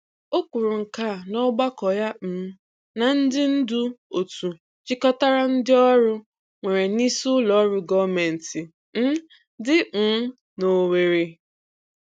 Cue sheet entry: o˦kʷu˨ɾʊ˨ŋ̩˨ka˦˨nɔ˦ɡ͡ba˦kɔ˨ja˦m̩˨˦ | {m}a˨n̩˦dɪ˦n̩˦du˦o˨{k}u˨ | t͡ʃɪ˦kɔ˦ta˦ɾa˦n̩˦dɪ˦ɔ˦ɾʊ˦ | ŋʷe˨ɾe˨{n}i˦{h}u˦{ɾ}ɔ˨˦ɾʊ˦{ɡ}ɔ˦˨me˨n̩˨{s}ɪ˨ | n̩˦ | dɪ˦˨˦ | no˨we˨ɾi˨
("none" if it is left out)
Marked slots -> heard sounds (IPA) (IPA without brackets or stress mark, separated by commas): n, t, n, s, l, ɡ, t